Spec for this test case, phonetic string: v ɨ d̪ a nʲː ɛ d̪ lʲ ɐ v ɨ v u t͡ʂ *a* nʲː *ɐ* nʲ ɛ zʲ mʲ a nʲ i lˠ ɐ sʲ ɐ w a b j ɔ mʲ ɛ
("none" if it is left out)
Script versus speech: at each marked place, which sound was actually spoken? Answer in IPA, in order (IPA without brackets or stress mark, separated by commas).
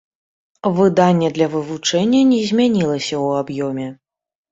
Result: ɛ, ɐ